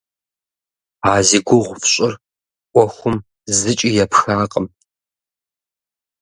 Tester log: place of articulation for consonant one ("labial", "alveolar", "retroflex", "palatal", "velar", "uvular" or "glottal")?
alveolar